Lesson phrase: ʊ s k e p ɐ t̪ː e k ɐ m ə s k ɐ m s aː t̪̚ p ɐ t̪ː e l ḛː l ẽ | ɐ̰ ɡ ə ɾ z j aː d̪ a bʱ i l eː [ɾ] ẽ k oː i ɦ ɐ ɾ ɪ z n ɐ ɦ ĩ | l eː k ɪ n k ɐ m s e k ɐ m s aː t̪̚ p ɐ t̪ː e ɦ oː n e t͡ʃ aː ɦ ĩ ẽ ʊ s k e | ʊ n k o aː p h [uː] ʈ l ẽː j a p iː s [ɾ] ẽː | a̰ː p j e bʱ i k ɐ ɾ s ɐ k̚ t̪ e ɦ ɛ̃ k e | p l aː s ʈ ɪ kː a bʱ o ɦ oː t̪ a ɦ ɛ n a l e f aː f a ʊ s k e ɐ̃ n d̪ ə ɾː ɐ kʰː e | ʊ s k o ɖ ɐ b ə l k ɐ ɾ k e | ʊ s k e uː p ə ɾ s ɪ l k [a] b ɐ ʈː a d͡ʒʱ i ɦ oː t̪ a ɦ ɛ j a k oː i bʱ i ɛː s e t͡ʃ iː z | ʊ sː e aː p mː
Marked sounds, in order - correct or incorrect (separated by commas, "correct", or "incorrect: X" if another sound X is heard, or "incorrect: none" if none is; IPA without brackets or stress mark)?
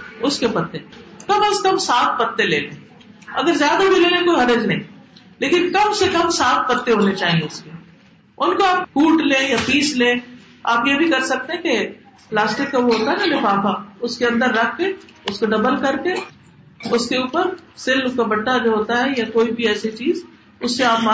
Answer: incorrect: l, correct, incorrect: l, correct